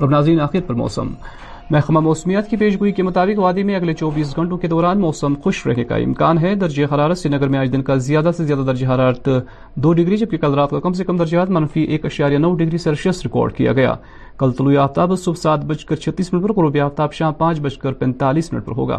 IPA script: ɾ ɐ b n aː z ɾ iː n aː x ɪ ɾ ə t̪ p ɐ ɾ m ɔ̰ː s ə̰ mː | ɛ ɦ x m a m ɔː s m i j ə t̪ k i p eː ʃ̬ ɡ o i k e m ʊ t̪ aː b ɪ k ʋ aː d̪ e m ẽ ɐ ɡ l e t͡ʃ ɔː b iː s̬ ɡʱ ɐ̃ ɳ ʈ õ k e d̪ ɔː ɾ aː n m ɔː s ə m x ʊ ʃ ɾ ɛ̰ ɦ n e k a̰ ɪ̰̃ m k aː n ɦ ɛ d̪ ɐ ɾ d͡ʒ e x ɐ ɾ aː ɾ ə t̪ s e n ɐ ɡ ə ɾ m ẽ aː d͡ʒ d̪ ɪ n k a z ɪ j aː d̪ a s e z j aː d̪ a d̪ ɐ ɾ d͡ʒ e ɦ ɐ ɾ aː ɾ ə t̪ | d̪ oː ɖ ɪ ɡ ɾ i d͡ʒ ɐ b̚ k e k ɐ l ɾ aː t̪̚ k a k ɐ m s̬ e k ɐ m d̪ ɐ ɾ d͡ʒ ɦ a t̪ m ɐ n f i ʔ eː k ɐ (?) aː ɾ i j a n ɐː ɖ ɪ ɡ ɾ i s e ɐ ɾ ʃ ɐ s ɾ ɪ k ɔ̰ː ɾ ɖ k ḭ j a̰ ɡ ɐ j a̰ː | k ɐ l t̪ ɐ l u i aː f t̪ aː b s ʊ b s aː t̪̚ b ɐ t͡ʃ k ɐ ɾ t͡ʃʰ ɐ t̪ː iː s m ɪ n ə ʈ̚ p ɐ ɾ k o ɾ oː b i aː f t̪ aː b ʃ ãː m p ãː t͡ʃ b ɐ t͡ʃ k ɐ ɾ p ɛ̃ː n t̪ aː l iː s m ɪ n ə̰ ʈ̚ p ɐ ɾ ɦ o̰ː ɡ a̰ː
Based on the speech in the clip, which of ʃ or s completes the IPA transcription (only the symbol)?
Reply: ʃ